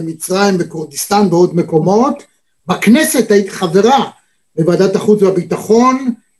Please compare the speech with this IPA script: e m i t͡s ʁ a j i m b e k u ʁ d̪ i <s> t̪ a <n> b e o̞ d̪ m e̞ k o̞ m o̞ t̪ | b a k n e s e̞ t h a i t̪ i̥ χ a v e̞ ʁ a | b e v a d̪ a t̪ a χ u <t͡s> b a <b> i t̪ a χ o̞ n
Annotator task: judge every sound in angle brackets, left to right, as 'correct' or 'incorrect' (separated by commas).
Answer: correct, correct, correct, correct